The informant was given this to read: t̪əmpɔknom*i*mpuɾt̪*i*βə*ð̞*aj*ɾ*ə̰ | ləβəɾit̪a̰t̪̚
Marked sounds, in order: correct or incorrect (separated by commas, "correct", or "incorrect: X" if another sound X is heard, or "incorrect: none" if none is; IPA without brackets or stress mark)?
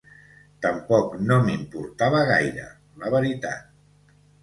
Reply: correct, incorrect: a, incorrect: ɣ̞, correct